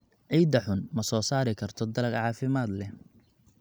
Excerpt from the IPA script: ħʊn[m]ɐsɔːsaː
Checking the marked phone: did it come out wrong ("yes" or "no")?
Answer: no